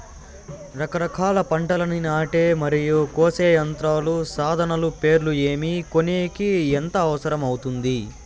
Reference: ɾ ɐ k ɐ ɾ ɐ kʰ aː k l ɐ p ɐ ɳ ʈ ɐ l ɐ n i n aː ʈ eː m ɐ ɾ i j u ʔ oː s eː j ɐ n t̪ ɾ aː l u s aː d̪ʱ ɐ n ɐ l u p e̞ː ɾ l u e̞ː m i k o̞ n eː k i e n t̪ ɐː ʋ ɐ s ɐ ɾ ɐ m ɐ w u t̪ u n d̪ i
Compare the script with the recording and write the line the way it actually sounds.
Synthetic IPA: ɾ ɐ k ɐ ɾ ɐ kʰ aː l ɐ p ɐ ɳ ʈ ɐ l ɐ n i n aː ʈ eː m ɐ ɾ i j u k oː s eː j ɐ n t̪ ɾ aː l u s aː d̪ʱ ɐ n ɐ l u p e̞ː ɾ l u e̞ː m i k o̞ n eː k i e n t̪ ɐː ʋ ɐ s ɐ ɾ ɐ m ɐ w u t̪ u n d̪ i